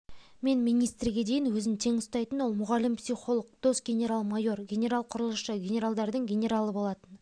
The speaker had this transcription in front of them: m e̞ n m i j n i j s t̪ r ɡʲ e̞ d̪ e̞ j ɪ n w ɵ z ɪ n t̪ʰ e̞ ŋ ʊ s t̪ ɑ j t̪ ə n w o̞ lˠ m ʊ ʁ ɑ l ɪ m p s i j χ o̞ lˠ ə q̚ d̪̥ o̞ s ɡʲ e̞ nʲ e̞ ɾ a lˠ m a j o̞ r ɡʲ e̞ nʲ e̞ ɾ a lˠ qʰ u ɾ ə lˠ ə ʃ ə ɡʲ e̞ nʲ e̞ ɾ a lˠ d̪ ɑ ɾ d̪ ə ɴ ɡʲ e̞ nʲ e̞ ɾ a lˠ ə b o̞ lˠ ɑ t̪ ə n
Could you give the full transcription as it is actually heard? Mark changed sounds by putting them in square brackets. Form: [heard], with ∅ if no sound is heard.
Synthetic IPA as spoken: m e̞ n m i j n i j s t̪ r ɡʲ e̞ d̪ e̞ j ɪ n w ɵ z ɪ n t̪ʰ e̞ ŋ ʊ s t̪ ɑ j t̪ ə n w o̞ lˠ m ʊ ʁ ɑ l ɪ m p s i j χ o̞ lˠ ə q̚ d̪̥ o̞ s ɡʲ e̞ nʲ e̞ ɾ a lˠ m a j o̞ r ɡʲ e̞ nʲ e̞ ɾ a lˠ qʰ [ʊ] ɾ ə lˠ ə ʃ ə ɡʲ e̞ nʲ e̞ ɾ a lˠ d̪ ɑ ɾ d̪ ə ɴ ɡʲ e̞ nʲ e̞ ɾ a lˠ ə b o̞ lˠ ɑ t̪ ə n